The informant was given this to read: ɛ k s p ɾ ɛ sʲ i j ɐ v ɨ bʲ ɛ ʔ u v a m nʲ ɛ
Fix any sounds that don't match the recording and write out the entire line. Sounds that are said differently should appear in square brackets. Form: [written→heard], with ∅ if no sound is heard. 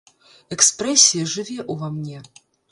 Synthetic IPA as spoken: ɛ k s p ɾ ɛ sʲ i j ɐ [v→ʐ] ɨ [bʲ→vʲ] ɛ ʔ u v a m nʲ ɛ